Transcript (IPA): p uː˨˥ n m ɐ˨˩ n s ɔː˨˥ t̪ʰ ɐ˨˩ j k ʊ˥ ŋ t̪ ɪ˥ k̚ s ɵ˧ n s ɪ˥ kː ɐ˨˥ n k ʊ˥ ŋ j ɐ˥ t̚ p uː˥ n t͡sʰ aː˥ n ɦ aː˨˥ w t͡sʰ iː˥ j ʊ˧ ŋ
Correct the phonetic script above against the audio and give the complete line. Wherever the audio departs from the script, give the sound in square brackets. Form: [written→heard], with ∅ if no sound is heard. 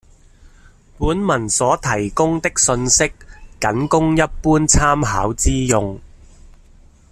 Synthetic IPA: p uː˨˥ n m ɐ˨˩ n s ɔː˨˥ t̪ʰ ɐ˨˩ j k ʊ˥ ŋ t̪ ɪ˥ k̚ s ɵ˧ n s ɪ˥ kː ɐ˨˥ n k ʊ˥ ŋ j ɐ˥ t̚ p uː˥ n t͡sʰ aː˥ [n→m] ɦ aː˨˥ w [t͡sʰ→t͡s] iː˥ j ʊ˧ ŋ